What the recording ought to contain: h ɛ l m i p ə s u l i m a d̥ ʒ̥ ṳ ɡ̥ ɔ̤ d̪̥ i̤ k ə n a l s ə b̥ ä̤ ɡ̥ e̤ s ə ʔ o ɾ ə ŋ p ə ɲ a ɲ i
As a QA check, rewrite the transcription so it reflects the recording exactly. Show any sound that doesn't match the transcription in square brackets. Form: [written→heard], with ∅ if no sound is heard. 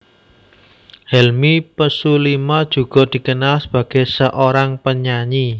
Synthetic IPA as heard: h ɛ l m i p ə s u l i m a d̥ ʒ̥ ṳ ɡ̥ ɔ̤ d̪̥ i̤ k ə n a l s ə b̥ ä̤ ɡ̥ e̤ s ə ʔ o ɾ [ə→a] ŋ p ə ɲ a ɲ i